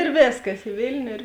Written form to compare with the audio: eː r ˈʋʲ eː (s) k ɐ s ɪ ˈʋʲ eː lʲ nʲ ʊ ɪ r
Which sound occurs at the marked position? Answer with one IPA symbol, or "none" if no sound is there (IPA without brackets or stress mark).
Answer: s